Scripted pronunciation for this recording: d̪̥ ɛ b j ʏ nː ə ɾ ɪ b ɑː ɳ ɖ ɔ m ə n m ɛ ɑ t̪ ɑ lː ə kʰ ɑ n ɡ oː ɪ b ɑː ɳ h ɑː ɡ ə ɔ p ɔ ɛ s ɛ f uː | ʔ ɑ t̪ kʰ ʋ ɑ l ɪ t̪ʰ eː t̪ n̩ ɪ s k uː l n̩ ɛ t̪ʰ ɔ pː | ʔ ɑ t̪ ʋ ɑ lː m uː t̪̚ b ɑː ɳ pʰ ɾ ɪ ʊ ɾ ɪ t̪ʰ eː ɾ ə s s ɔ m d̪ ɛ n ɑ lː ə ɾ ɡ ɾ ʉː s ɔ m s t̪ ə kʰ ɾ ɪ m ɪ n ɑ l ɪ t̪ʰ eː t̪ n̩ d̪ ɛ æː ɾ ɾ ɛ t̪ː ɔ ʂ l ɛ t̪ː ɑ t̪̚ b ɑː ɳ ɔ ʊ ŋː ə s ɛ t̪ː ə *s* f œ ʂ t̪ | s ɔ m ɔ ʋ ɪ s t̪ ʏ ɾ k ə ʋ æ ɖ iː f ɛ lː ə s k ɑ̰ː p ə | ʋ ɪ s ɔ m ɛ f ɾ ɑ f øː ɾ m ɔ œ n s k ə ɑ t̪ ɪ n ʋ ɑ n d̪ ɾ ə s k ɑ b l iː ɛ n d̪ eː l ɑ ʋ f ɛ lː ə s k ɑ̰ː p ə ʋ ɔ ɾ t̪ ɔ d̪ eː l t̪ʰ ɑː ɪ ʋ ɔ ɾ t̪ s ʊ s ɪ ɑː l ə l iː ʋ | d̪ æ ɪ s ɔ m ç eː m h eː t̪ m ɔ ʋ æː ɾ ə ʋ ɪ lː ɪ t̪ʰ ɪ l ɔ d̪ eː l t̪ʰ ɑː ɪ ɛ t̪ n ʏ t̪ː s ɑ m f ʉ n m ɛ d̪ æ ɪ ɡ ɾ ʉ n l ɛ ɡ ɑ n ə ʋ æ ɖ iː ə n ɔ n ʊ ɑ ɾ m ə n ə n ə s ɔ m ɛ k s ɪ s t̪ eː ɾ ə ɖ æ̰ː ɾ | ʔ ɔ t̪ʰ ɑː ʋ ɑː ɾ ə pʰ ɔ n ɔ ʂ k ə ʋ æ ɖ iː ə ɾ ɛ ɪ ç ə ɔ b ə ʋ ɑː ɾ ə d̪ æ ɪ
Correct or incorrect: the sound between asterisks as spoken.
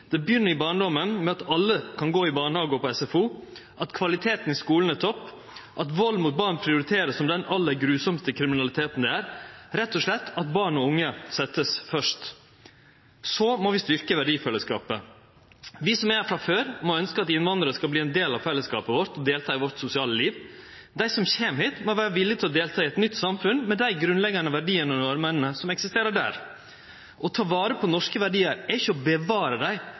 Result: correct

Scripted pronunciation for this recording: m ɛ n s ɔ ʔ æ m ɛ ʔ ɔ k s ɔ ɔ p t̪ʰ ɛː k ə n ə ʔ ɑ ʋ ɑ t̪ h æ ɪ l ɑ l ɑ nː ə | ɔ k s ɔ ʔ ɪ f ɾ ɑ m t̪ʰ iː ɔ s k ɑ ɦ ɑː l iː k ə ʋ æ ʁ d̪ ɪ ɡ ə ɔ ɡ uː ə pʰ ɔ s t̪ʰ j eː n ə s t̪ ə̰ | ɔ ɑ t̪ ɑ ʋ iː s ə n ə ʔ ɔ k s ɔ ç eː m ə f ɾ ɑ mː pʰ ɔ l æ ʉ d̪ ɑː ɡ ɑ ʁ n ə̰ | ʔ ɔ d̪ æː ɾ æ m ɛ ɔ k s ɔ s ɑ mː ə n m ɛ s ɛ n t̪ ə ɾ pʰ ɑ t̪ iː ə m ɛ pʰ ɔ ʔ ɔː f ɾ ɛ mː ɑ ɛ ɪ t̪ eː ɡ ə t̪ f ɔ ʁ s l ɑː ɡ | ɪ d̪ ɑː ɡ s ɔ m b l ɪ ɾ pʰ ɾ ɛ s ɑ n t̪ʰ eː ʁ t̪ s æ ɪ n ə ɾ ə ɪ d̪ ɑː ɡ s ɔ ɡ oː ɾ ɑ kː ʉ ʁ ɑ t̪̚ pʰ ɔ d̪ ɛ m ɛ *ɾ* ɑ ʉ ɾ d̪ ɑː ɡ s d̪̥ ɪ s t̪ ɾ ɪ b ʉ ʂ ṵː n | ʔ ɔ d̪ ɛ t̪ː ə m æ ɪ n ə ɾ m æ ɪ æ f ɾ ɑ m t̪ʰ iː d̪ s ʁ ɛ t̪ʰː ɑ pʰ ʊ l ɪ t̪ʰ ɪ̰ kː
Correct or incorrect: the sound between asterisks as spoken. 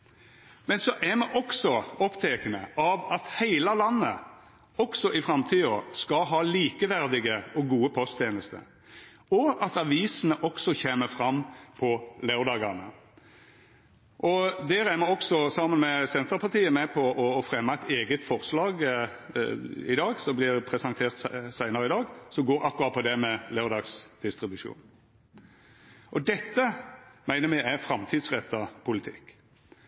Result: incorrect: l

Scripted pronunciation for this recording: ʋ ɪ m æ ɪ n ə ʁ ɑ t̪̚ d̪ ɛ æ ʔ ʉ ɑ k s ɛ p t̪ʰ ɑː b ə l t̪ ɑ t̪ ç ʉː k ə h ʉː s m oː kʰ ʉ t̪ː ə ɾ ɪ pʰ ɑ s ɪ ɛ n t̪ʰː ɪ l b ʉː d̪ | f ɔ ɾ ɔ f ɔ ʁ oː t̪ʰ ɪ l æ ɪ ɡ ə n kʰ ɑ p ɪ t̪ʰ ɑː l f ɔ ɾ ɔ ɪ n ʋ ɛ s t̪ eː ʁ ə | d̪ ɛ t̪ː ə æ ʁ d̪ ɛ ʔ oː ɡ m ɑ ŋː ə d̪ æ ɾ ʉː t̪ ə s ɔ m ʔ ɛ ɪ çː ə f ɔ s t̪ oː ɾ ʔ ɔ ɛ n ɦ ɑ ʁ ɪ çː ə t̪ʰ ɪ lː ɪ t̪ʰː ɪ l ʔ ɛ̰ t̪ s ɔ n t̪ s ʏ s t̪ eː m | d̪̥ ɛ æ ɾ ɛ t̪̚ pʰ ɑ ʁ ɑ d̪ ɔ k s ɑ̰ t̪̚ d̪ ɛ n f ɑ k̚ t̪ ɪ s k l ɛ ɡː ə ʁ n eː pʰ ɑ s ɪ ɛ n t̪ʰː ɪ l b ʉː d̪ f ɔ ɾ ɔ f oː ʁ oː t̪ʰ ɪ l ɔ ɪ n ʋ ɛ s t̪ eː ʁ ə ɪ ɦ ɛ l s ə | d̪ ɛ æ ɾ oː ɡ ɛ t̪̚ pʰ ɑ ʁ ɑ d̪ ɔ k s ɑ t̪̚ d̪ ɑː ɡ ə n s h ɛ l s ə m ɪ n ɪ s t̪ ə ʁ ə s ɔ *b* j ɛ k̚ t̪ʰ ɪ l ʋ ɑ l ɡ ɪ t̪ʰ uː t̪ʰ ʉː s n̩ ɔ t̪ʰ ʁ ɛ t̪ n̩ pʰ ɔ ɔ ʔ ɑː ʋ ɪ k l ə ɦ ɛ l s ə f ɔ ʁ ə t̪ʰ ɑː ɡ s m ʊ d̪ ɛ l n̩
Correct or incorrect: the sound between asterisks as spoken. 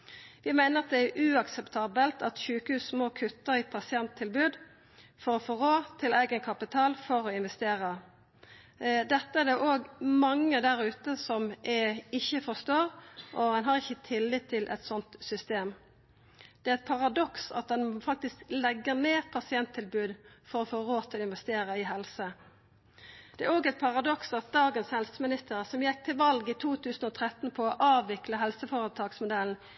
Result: incorrect: m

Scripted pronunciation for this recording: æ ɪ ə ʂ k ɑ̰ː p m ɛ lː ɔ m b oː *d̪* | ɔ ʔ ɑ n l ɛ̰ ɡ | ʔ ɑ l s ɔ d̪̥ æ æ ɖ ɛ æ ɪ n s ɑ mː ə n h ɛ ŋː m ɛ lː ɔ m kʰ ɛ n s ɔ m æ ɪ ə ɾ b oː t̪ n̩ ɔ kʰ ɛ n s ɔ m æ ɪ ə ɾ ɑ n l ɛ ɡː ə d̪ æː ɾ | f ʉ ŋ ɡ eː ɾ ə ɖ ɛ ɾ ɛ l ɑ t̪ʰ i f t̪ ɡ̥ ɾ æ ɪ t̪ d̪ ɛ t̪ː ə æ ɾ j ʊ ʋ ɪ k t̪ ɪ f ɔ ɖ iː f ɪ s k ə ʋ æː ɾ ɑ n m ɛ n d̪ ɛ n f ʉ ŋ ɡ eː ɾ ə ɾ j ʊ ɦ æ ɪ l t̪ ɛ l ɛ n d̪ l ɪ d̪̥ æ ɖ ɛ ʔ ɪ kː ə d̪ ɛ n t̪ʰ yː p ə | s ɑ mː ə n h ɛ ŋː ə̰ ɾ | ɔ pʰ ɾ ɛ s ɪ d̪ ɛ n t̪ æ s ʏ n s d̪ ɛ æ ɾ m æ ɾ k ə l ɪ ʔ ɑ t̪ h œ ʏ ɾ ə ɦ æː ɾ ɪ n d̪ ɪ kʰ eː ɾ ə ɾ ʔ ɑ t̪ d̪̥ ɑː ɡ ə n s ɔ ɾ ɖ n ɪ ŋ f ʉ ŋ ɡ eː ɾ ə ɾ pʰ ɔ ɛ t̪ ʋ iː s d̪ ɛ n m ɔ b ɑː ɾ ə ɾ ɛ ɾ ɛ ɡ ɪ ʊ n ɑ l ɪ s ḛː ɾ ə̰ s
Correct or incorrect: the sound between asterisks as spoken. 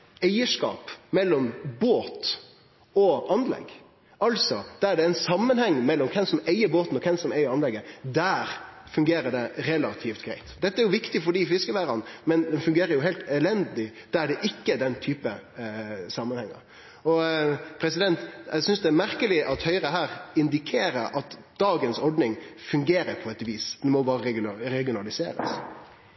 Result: incorrect: t̪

